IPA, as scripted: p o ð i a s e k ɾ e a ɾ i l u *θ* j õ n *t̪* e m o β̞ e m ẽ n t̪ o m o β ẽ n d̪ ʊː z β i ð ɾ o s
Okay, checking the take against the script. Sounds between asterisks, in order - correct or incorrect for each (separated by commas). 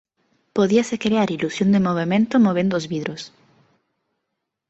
incorrect, incorrect